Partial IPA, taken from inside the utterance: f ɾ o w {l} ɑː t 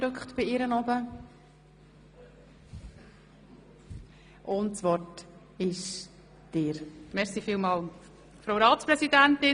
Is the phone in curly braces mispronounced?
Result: yes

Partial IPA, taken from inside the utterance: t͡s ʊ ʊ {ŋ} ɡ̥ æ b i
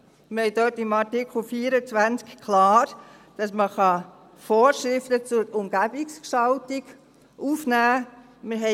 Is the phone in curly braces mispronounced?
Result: yes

